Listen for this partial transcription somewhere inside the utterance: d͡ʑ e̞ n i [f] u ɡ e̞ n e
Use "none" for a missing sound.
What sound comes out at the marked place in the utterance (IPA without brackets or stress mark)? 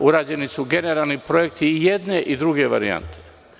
s